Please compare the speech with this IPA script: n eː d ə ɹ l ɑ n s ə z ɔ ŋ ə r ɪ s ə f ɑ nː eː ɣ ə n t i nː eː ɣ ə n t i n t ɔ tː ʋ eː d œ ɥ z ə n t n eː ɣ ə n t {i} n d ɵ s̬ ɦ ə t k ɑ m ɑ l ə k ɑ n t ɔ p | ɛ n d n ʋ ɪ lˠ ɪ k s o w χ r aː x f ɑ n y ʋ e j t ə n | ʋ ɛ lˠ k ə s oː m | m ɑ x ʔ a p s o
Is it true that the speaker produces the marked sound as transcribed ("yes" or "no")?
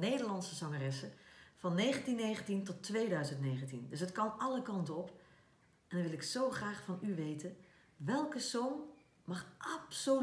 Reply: yes